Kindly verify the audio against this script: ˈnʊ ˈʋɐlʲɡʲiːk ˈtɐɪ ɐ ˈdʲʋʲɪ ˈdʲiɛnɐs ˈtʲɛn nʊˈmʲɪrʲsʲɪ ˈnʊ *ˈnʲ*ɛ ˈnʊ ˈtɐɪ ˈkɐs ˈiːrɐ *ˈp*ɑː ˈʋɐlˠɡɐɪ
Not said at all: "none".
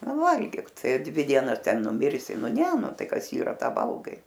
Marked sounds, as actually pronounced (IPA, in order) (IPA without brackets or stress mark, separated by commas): nʲ, t